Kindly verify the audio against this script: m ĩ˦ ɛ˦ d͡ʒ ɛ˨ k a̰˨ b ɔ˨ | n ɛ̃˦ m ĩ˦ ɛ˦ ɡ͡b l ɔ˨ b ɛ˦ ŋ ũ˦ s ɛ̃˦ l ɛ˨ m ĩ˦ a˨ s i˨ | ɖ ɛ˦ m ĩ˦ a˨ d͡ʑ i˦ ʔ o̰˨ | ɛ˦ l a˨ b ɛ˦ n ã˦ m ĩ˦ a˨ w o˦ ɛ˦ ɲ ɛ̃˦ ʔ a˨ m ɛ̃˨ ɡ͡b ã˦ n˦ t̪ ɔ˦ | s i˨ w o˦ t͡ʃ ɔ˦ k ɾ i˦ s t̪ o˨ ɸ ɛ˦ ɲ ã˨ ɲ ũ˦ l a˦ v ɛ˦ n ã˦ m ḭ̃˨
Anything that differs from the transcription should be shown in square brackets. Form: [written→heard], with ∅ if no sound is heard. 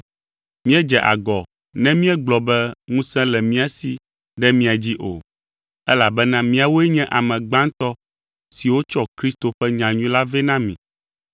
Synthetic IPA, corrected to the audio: m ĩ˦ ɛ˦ d͡ʒ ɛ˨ [k→ʔ] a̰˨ [b→ɡ] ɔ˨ | n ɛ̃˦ m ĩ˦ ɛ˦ ɡ͡b l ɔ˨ b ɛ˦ ŋ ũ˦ s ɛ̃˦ l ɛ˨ m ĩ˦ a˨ s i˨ | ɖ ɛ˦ m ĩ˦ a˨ d͡ʑ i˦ ʔ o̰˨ | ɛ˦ l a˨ b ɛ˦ n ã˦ m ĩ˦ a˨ w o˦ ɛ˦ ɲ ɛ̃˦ ʔ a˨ m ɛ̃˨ ɡ͡b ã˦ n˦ t̪ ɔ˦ | s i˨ w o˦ t͡ʃ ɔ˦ k ɾ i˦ s t̪ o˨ ɸ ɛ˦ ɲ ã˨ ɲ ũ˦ l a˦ v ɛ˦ n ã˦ m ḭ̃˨